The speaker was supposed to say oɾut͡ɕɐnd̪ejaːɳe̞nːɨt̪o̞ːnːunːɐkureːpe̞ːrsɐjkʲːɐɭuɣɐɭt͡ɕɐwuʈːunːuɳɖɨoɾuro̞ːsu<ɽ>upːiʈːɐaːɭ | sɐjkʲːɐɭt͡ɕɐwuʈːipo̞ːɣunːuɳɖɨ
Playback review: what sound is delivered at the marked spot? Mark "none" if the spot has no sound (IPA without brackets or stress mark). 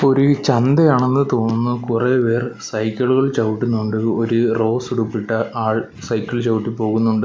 ɽ